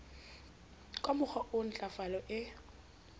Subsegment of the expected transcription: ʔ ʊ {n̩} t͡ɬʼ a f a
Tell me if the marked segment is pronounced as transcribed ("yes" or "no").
yes